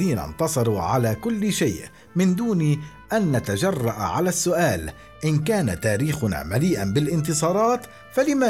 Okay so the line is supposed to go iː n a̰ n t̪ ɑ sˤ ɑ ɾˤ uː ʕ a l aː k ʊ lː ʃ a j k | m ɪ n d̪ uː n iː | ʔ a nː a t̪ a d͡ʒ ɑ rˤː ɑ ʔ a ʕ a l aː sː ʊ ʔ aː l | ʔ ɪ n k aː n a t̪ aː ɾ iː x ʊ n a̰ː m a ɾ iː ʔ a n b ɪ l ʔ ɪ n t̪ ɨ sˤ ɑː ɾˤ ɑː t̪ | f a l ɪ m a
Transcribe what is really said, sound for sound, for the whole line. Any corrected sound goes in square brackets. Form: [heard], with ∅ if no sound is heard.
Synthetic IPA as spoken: iː n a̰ n t̪ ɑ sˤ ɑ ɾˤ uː ʕ a l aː k ʊ lː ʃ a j [ʔ] | m ɪ n d̪ uː n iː | ʔ a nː a t̪ a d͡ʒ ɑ rˤː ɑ ʔ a ʕ a l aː sː ʊ ʔ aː l | ʔ ɪ n k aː n a t̪ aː ɾ iː x ʊ n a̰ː m a [l] iː ʔ a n b ɪ l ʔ ɪ n t̪ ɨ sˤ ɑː ɾˤ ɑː t̪ | f a l ɪ m a